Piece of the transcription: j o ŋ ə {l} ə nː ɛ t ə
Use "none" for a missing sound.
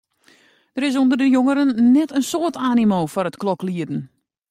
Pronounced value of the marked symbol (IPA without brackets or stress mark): ɾ